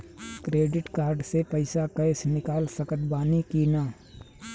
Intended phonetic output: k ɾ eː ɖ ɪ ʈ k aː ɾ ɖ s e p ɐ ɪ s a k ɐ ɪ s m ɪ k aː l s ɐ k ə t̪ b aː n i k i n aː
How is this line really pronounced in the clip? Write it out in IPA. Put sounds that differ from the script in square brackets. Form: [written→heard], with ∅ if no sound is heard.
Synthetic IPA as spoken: k ɾ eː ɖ ɪ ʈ k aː ɾ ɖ s e p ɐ ɪ s a k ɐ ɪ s [m→n] ɪ k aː l s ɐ k ə t̪ b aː n i k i n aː

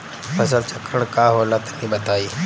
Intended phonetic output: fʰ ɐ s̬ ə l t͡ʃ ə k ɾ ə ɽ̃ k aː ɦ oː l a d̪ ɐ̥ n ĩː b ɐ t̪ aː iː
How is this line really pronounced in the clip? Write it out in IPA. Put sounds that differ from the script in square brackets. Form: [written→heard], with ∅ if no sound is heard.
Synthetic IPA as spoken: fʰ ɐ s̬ ə l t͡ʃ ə k ɾ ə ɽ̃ k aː ɦ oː l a [d̪→t̪] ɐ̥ n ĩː b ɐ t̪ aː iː

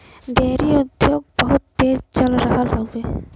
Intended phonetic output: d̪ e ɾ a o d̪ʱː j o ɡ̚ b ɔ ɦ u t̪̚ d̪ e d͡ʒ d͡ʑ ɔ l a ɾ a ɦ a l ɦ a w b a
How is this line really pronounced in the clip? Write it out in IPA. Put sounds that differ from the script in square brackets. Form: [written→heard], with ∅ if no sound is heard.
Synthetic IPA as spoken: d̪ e ɾ [a→i] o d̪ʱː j o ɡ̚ b ɔ ɦ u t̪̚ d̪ e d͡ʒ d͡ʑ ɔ l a ɾ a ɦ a l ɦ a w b [a→e]

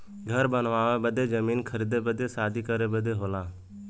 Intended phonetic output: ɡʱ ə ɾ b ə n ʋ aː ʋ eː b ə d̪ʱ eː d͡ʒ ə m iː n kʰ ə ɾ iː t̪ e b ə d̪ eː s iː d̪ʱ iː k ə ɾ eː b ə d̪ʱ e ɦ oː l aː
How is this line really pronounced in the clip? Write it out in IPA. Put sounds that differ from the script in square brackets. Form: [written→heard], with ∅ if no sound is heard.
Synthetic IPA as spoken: ɡʱ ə ɾ b ə n ʋ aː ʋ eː b ə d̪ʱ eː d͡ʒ ə m iː n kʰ ə ɾ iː [t̪→d̪] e b ə d̪ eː s [iː→aː] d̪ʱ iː k ə ɾ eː b ə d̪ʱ e ɦ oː l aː

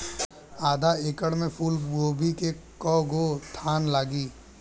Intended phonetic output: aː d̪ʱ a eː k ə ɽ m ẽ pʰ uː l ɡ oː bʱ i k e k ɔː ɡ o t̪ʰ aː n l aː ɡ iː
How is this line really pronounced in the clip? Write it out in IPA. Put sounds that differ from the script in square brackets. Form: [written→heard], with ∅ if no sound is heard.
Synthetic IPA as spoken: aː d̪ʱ a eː k ə ɽ m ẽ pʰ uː l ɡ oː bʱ i k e k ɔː ɡ o t̪ʰ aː n l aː ɡ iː

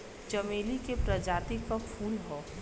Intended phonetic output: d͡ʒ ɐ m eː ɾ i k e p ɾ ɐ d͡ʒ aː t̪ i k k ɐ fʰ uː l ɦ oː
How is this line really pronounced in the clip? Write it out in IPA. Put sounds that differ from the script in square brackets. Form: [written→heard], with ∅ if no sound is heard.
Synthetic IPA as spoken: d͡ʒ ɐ m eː [ɾ→l] i k e p ɾ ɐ d͡ʒ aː t̪ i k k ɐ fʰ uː l ɦ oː

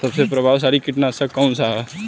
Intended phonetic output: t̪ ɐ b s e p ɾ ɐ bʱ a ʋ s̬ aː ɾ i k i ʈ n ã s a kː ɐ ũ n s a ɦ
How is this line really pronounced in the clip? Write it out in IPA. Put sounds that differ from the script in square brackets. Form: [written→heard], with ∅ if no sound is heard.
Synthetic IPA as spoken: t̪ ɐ b s e p ɾ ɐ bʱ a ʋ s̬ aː ɾ i k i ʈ n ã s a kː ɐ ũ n s a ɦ

